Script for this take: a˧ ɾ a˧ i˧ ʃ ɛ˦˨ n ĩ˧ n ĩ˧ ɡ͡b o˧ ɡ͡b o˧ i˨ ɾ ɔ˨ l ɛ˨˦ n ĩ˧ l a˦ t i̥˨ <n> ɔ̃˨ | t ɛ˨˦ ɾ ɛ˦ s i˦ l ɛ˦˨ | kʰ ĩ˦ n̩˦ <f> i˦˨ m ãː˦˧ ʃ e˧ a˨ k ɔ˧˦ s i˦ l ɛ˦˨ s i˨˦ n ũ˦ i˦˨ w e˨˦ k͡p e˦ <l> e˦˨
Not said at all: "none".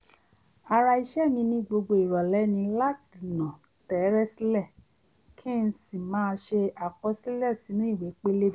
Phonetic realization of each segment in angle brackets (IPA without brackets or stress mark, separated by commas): n, s, l